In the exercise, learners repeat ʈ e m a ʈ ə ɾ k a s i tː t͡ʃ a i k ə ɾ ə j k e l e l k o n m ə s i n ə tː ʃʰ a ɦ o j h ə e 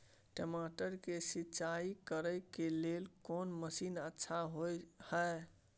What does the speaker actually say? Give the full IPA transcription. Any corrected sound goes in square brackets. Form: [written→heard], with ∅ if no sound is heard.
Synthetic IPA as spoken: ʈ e m a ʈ ə ɾ k [a→e] s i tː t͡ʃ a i k ə ɾ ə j k e l e l k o n m ə s i n ə tː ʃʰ a ɦ o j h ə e